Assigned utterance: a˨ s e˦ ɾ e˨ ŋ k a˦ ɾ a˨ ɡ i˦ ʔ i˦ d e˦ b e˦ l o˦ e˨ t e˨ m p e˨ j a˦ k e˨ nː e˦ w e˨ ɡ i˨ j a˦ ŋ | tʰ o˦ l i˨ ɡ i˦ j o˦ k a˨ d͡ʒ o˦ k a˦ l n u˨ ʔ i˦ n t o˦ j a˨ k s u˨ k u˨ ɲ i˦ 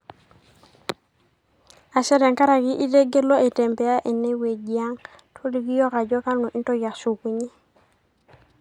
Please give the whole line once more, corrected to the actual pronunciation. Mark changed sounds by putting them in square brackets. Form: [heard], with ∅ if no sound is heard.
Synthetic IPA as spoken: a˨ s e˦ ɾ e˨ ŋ k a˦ ɾ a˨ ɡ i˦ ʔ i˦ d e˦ [ɡ] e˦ l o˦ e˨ t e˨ m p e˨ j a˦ [ʔ] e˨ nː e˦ w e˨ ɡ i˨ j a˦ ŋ | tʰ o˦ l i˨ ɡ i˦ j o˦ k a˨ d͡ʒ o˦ k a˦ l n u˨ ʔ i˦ n t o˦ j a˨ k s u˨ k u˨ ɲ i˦